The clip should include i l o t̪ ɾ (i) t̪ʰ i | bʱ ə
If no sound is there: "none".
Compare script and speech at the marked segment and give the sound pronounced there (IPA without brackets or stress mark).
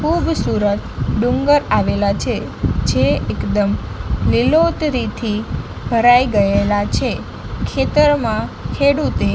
i